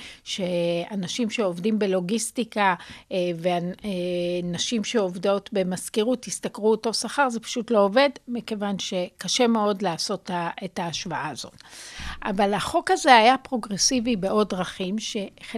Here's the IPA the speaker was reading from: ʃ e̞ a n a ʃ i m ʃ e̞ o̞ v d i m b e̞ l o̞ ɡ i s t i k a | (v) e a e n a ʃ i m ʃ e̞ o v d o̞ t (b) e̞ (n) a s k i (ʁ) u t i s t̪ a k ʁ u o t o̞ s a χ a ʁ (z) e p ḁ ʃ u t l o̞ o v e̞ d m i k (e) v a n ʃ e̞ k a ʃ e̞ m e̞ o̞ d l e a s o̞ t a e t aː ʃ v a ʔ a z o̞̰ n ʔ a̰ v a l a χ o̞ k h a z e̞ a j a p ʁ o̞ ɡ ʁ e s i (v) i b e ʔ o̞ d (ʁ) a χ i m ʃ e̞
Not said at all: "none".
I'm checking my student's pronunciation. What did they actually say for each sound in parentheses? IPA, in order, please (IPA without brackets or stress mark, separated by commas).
v, b, m, ʁ, z, e, v, ʁ